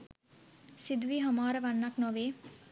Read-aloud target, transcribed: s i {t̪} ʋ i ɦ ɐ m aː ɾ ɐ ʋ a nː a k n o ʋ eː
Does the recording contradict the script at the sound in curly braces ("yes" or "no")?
yes